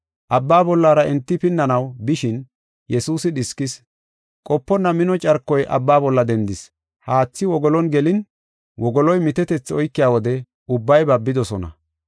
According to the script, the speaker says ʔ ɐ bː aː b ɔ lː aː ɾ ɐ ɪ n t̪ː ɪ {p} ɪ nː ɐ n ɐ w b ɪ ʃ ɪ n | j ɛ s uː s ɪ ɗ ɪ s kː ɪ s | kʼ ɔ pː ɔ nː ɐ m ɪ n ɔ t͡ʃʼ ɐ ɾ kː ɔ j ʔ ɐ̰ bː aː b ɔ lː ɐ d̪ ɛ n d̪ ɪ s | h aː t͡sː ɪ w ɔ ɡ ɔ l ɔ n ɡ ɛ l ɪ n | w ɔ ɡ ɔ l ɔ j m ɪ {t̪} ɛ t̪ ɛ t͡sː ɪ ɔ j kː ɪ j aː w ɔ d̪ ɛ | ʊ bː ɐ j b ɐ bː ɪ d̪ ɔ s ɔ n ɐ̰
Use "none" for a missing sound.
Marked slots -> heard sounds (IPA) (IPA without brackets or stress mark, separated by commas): p, t̪